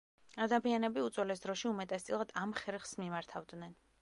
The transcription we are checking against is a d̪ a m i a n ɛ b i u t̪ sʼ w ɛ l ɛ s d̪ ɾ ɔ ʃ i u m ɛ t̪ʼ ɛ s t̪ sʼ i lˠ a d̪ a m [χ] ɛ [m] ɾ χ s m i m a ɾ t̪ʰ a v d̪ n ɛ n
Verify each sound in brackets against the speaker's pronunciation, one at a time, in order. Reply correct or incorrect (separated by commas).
correct, incorrect